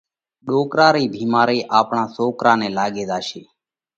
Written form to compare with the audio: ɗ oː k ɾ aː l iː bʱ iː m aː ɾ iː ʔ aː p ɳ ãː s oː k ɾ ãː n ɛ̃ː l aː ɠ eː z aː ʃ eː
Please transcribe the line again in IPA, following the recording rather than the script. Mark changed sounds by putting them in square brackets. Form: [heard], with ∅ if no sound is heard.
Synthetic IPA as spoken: ɗ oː k ɾ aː [ɾ] iː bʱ iː m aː ɾ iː ʔ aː p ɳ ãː s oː k ɾ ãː n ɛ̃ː l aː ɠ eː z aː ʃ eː